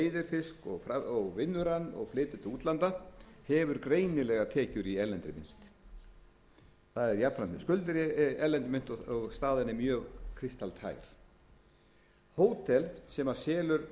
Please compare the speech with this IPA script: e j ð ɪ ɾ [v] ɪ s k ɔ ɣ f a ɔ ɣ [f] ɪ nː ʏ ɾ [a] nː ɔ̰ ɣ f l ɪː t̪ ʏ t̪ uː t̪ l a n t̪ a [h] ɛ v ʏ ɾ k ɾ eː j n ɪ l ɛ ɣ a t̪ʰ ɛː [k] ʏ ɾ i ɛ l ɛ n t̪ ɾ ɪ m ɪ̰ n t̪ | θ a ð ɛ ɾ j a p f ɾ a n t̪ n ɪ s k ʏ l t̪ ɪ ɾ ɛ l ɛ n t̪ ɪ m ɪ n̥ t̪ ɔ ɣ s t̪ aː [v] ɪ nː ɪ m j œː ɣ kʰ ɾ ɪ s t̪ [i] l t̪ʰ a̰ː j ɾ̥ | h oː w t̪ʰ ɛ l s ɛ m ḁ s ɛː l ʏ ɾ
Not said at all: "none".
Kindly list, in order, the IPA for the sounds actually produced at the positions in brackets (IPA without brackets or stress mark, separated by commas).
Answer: f, v, a, h, c, ð, a